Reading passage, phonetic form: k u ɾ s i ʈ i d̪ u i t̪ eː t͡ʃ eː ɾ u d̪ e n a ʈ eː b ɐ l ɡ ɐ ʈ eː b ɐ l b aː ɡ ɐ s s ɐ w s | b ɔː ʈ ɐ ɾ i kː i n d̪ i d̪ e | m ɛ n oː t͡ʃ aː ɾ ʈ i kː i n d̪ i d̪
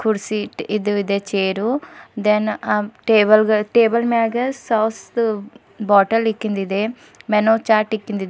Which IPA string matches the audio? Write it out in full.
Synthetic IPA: k u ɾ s i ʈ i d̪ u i d̪ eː t͡ʃ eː ɾ u d̪ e n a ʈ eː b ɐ l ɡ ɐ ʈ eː b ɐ l m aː ɡ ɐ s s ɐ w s | b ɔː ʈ ɐ l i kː i n d̪ i d̪ e | m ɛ n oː t͡ʃ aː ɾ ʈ i kː i n d̪ i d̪